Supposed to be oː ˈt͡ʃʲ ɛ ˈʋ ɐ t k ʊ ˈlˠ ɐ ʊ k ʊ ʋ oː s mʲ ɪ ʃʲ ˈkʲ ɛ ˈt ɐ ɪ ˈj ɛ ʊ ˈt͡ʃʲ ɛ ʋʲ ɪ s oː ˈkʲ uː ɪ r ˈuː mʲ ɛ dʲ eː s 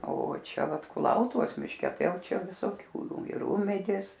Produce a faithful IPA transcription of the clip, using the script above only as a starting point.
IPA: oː ˈt͡ʃʲ ɛ ˈʋ ɐ t k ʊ ˈlˠ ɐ ʊ t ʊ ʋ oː s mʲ ɪ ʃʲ ˈkʲ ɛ ˈt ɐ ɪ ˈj ɛ ʊ ˈt͡ʃʲ ɛ ʋʲ ɪ s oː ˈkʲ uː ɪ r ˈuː mʲ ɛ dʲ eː s